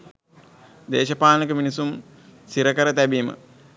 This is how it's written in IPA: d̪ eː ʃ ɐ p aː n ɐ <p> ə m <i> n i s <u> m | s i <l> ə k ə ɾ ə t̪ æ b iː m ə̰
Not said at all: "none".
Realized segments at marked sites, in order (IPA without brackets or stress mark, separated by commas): k, i, u, ɾ